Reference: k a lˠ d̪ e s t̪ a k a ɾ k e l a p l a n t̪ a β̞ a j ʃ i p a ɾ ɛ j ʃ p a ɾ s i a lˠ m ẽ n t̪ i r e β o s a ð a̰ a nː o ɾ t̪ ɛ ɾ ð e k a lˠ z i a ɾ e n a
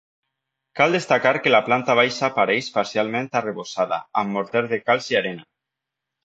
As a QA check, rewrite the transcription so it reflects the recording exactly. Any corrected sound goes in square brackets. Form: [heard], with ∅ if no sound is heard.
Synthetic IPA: k a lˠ d̪ e s t̪ a k a ɾ k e l a p l a n t̪ a β̞ a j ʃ [a] p a ɾ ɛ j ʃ p a ɾ s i a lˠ m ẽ n t̪ [a] r e β o s a ð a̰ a [mː] o ɾ t̪ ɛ ɾ ð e k a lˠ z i a ɾ e n a